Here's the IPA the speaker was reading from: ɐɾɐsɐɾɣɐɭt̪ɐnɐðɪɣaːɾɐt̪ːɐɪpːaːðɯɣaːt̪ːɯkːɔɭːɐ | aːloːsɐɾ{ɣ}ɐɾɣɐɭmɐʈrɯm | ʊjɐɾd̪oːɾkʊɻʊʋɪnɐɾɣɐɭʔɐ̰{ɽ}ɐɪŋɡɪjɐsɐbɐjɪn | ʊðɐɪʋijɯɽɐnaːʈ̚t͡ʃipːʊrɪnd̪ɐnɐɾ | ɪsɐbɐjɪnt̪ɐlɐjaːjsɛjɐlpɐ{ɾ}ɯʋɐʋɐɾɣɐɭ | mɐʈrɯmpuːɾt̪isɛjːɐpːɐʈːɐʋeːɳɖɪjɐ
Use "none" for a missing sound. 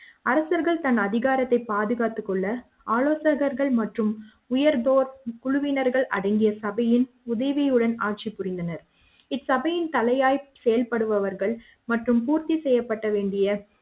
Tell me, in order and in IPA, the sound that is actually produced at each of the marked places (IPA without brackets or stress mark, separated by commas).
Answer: ɣ, ɽ, ɽ